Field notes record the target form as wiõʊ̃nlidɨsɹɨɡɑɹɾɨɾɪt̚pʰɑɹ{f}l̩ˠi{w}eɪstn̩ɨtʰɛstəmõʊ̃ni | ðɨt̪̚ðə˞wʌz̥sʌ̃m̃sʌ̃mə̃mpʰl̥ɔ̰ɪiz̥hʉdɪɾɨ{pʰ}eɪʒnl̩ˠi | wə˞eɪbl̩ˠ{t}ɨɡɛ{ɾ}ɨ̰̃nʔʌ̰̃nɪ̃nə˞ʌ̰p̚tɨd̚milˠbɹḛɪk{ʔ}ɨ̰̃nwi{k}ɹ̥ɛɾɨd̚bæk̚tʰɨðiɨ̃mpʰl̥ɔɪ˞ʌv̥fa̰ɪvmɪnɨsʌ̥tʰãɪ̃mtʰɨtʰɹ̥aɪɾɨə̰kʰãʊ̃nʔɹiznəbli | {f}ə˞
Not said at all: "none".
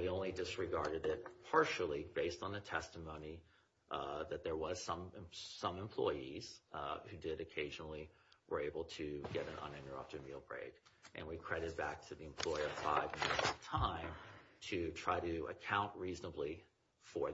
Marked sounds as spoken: ʃ, b, kʰ, tʰ, ɾ, ʔ, kʰ, f

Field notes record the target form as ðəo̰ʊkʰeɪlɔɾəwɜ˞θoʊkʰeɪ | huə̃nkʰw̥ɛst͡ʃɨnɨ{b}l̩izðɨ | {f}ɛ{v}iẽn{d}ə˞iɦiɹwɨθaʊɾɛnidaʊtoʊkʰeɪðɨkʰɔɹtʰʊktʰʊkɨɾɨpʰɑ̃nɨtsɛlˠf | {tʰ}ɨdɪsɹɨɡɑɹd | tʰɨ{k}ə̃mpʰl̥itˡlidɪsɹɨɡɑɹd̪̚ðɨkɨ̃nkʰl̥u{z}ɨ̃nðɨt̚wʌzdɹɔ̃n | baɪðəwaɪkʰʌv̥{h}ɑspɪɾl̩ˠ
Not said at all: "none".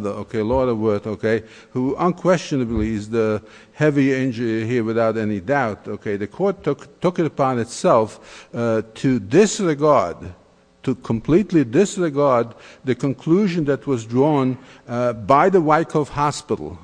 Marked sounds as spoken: b, h, v, d͡ʒ, tʰ, kʰ, ʒ, h

